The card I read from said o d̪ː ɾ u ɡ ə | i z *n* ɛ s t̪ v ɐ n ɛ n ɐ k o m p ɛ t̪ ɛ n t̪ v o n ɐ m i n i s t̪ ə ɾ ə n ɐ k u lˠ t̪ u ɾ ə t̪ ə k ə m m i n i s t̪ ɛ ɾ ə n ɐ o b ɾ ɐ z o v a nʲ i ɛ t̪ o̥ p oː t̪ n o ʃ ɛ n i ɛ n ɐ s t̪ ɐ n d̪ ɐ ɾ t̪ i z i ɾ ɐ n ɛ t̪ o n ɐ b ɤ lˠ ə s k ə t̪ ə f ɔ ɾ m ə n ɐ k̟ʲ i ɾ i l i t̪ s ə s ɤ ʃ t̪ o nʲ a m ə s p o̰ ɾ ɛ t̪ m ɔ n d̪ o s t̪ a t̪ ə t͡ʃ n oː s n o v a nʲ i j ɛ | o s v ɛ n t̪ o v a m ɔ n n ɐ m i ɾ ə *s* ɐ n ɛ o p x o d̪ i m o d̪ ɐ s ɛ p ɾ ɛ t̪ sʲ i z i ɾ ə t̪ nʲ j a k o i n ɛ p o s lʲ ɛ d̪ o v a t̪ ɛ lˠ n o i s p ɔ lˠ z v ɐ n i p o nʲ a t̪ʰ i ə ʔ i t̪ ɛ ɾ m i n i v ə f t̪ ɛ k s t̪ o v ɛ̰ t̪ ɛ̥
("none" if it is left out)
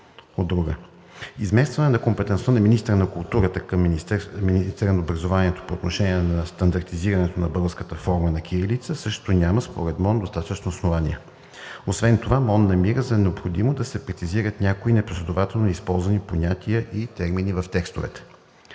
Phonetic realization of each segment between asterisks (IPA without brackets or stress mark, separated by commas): m, z